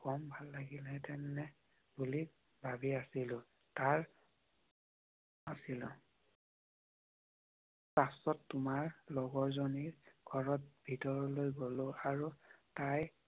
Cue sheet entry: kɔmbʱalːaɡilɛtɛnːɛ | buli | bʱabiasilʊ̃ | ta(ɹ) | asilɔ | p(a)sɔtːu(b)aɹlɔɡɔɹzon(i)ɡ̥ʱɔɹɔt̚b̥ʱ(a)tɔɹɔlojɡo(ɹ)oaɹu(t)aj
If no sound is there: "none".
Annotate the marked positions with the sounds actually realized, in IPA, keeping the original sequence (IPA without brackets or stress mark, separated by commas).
ɹ, a, m, i, i, l, t